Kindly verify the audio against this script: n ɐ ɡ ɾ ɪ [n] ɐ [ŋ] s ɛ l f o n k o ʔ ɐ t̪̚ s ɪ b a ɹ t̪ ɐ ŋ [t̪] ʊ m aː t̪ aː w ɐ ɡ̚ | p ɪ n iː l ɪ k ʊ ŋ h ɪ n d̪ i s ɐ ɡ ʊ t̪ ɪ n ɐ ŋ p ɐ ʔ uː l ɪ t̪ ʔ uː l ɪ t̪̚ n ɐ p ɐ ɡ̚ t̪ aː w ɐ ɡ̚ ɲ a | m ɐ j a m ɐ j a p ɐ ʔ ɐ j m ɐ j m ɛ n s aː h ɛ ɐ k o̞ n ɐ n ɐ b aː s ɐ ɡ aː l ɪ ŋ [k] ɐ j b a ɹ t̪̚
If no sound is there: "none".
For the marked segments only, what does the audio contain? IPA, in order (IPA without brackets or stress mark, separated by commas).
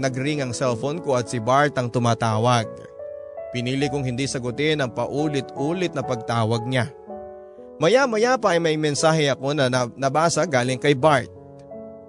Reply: ŋ, ŋ, t̪, k